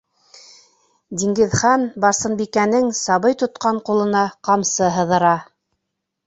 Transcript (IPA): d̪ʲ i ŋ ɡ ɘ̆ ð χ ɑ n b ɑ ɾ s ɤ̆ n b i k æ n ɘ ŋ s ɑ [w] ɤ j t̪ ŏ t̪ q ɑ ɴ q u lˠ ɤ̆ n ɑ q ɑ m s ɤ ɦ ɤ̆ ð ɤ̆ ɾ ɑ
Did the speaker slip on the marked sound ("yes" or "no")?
yes